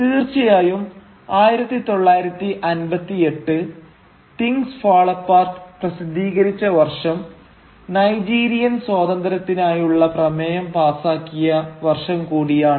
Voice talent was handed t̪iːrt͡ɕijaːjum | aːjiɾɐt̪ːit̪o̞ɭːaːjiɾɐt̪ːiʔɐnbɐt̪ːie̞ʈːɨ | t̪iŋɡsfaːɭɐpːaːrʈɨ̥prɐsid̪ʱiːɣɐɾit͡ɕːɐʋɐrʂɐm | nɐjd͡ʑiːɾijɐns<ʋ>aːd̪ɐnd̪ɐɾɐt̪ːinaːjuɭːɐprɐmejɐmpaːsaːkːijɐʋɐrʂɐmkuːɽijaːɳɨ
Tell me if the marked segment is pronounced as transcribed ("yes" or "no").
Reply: no